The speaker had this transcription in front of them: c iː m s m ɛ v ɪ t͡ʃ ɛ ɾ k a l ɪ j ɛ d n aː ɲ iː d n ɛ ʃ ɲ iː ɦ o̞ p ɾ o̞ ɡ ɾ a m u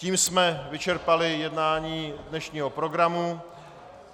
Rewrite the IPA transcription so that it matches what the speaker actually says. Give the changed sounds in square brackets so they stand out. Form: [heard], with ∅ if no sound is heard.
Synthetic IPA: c iː m s m ɛ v ɪ t͡ʃ ɛ ɾ [p] a l ɪ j ɛ d n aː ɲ iː d n ɛ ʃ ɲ iː ɦ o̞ p ɾ o̞ ɡ ɾ a m u